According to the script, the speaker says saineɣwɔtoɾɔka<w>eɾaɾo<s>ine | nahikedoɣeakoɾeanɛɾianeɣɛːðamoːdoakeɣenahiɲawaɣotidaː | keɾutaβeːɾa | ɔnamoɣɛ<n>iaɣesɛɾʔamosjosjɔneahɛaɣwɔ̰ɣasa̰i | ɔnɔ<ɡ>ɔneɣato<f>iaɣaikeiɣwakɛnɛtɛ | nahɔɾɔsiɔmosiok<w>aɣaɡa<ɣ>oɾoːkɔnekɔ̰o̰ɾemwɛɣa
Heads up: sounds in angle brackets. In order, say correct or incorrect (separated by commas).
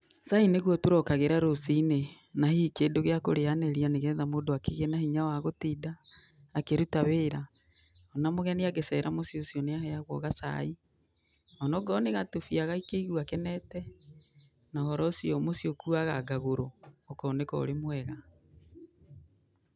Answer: incorrect, correct, correct, correct, correct, incorrect, correct